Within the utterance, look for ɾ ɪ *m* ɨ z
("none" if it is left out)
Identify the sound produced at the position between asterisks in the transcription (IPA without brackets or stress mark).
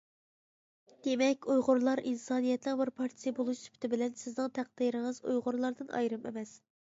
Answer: ŋ